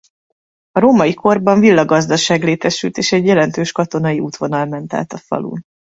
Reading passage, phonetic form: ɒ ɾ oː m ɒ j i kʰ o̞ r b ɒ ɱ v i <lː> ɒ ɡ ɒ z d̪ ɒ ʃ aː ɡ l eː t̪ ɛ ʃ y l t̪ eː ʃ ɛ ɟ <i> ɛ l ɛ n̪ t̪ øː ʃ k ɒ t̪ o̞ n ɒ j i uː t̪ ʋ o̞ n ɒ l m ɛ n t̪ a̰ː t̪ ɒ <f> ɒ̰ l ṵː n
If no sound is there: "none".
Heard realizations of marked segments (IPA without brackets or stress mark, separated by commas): lː, j, f